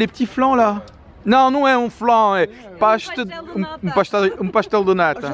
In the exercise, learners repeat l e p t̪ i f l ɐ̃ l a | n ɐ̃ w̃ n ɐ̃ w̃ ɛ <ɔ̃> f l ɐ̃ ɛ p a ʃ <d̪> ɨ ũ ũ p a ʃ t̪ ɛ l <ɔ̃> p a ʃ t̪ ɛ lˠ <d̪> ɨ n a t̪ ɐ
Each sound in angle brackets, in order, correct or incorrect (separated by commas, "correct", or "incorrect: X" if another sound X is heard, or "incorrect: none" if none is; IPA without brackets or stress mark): incorrect: ũ, incorrect: t̪, incorrect: ũ, correct